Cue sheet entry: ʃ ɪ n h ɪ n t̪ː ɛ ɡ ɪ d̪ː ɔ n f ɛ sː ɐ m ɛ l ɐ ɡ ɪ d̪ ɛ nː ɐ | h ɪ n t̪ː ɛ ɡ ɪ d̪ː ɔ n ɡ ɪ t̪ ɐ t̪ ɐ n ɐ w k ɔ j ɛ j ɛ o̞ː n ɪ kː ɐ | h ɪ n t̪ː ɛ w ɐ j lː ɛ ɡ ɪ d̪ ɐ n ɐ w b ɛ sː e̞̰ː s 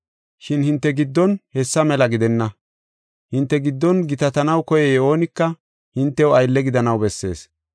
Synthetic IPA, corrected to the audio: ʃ ɪ n h ɪ n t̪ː ɛ ɡ ɪ d̪ː ɔ n h ɛ sː ɐ m ɛ l ɐ ɡ ɪ d̪ ɛ nː ɐ | h ɪ n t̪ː ɛ ɡ ɪ d̪ː ɔ n ɡ ɪ t̪ ɐ t̪ ɐ n ɐ w k ɔ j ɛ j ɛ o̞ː n ɪ kː ɐ | h ɪ n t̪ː ɛ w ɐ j lː ɛ ɡ ɪ d̪ ɐ n ɐ w b ɛ sː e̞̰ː s